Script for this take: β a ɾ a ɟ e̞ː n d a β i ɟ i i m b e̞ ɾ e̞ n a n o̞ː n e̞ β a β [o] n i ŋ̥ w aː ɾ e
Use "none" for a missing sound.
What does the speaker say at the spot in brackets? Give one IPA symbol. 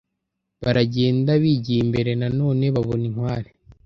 o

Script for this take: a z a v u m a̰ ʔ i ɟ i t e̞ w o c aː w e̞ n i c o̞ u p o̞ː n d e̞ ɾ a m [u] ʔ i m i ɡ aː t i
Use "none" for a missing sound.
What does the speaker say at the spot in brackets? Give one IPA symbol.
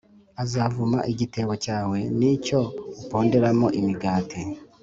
o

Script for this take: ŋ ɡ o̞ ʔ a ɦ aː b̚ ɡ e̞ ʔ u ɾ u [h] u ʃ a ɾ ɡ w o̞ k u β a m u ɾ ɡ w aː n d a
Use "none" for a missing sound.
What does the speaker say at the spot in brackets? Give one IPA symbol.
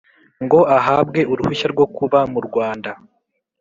h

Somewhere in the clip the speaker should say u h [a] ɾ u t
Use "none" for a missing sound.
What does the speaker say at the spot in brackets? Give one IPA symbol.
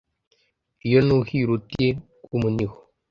i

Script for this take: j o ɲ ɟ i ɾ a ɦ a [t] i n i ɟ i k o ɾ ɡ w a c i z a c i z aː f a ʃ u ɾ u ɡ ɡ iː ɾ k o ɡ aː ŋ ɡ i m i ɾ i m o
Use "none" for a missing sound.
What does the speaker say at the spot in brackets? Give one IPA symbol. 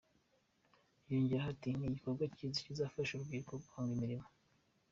t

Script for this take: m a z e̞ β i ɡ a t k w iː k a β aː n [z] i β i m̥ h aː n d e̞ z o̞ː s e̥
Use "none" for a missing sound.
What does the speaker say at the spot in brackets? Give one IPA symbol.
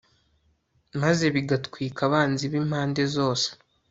z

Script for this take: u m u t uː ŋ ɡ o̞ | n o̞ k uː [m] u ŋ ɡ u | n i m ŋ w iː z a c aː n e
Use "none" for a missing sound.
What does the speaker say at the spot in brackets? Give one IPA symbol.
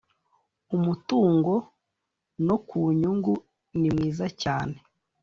ɲ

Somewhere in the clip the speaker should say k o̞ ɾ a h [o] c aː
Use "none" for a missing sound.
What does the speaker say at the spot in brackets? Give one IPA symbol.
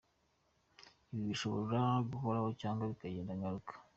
o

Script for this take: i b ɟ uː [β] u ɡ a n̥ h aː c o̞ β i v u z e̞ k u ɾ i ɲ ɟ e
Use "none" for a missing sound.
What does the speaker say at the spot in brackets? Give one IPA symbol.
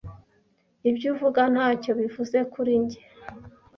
v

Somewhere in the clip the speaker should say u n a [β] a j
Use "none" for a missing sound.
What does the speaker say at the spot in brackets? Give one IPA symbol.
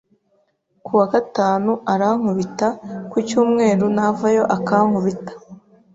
v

